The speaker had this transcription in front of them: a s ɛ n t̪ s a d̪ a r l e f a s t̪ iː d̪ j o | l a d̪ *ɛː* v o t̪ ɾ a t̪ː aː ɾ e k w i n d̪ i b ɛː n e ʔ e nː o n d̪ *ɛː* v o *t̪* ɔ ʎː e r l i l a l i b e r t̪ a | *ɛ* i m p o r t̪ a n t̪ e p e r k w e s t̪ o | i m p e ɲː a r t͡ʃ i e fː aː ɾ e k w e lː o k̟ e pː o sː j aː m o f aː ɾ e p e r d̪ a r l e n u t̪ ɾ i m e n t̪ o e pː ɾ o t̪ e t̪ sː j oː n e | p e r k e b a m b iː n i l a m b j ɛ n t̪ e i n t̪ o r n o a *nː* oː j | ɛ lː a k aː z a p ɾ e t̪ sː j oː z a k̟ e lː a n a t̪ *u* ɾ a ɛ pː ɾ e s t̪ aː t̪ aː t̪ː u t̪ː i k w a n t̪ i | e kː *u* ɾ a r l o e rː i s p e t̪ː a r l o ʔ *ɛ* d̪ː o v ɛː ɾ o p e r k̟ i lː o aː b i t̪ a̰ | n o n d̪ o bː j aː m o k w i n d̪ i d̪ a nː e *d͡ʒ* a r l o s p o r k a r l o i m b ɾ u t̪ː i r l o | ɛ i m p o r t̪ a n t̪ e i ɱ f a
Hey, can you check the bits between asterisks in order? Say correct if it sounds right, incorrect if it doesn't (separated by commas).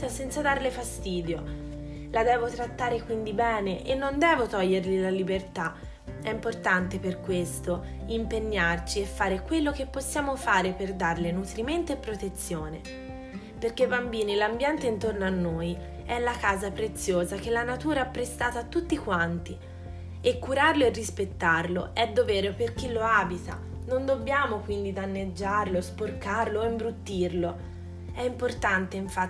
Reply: correct, correct, correct, correct, correct, incorrect, correct, correct, incorrect